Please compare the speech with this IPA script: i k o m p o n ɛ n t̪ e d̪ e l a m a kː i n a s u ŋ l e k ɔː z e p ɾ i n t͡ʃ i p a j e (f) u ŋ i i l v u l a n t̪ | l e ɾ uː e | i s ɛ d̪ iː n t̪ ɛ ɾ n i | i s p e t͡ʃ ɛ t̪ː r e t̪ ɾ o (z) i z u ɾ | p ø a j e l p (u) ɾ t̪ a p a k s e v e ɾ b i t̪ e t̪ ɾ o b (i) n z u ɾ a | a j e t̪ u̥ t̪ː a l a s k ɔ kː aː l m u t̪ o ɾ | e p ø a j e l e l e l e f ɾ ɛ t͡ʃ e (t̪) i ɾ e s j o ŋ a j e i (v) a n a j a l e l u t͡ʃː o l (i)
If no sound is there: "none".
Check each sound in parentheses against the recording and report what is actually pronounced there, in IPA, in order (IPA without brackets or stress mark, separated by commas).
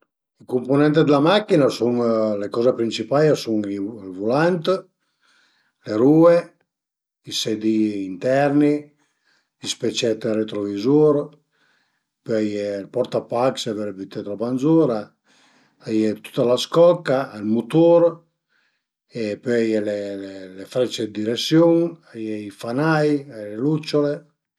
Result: s, v, ɔ, a, d̪, f, e